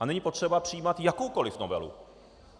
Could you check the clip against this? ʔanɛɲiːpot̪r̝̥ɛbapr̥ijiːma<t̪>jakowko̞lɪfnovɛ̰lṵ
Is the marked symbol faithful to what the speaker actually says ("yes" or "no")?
yes